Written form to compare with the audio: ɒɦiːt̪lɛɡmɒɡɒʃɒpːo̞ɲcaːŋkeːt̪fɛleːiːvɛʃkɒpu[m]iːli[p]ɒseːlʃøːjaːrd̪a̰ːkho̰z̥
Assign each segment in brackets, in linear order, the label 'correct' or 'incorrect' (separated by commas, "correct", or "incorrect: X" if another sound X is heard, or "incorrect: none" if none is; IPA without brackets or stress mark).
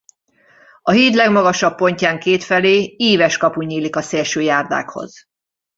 incorrect: ɲ, incorrect: k